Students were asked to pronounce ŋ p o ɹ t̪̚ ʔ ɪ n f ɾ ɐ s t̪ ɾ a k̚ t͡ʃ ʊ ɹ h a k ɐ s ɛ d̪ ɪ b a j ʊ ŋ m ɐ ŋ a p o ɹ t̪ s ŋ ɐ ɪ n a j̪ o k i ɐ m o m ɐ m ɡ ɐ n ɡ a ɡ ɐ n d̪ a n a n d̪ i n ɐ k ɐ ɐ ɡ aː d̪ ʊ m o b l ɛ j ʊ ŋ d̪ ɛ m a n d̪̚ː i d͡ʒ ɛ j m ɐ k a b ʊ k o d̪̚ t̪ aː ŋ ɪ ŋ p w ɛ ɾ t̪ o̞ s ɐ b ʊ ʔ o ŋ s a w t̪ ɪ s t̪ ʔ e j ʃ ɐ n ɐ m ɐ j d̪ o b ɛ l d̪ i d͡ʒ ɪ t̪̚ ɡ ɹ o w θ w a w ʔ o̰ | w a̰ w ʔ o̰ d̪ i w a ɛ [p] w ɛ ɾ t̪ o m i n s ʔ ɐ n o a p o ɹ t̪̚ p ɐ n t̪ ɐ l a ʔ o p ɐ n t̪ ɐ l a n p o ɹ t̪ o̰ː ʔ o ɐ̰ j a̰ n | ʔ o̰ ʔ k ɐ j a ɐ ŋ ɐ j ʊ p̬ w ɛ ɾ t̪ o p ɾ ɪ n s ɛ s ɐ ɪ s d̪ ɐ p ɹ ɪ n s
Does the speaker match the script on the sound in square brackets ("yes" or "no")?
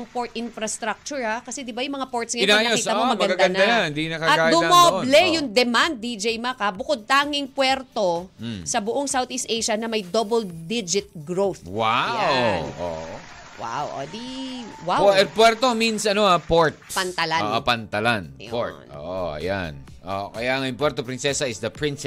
yes